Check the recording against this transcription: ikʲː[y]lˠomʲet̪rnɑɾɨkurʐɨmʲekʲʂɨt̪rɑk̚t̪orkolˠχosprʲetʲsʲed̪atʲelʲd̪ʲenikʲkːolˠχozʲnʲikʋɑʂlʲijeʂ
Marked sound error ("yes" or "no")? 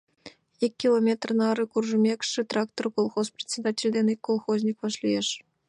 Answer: yes